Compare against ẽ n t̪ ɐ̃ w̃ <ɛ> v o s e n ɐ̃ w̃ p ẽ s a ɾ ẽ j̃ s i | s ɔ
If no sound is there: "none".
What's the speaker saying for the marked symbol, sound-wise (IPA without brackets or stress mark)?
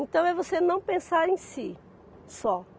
ɛ